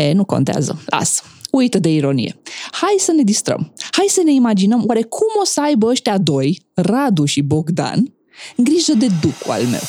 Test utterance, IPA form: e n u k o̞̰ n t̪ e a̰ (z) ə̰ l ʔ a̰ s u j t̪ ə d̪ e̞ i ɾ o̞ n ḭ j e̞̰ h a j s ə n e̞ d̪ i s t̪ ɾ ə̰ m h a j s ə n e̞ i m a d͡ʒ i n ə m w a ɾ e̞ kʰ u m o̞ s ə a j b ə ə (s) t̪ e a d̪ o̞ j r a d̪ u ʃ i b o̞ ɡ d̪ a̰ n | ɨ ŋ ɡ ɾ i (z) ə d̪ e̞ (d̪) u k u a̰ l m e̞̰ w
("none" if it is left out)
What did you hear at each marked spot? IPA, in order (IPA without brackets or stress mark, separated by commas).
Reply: z, ʃ, ʒ, d̪